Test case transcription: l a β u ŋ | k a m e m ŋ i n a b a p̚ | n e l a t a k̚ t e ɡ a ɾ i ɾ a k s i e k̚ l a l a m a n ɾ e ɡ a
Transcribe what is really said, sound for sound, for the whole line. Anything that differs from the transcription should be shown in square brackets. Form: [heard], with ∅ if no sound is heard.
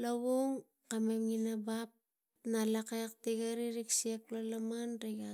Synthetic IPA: l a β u ŋ | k a m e m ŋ i n a b a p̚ | n [a] l a [k] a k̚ t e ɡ a ɾ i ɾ [i] k s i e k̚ l a l a m a n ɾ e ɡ a

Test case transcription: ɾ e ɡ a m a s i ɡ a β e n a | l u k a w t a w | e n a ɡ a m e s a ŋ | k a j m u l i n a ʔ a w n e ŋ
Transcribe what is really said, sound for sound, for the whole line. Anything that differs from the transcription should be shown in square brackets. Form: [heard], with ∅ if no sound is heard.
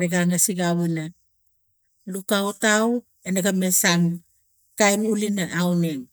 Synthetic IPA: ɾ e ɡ a [ŋ] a s i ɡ a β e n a | l u k a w t a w | e n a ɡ a m e s a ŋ | k a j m u l i n a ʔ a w n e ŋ

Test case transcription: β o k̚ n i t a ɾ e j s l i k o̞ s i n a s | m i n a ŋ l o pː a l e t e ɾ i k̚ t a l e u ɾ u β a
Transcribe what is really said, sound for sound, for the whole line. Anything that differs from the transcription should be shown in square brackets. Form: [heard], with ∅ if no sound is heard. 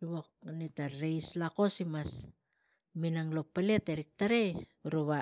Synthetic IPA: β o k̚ n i t a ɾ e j s l [a] k o̞ s i [m] a s | m i n a ŋ l o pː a l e t e ɾ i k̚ t a [ɾ] e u ɾ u β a

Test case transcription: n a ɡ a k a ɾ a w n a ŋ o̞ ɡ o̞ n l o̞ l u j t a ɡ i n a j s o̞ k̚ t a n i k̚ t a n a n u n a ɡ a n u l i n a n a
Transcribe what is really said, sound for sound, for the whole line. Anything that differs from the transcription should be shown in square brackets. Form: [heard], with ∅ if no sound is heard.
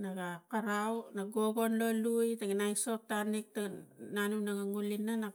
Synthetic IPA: n a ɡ a k a ɾ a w n a [ɡ] o̞ ɡ o̞ n l o̞ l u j t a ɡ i n a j s o̞ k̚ t a n i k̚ t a n a n u n a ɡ a [ŋ] u l i n a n a

